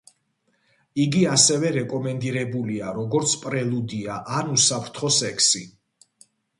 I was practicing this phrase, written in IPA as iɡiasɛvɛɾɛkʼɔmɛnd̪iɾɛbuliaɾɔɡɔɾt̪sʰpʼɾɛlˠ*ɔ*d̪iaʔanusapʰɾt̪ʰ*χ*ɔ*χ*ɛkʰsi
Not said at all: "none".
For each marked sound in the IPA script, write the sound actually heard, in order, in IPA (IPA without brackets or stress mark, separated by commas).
u, χ, s